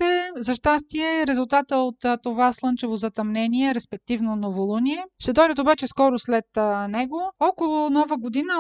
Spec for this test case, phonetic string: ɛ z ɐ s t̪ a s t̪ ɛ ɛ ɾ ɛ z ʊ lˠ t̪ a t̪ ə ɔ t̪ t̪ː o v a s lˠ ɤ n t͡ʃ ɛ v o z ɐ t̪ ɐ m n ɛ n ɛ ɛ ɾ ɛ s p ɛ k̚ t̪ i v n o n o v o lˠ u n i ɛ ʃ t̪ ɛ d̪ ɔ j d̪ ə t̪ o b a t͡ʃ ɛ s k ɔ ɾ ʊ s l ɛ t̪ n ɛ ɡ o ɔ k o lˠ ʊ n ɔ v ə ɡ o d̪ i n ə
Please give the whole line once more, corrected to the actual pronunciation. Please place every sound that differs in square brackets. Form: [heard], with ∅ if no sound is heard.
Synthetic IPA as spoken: ɛ z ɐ [ʃ] t̪ a s t̪ [i] ɛ ɾ ɛ z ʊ lˠ t̪ a t̪ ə [o] t̪ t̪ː o v a s lˠ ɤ n t͡ʃ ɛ v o z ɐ t̪ ɐ m n ɛ n [i] ɛ ɾ ɛ s p ɛ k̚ t̪ i v n o n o v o lˠ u n i ɛ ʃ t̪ ɛ d̪ ɔ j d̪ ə t̪ o b a t͡ʃ ɛ s k ɔ ɾ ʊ s l ɛ t̪ n ɛ ɡ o ɔ k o lˠ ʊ n ɔ v ə ɡ o d̪ i n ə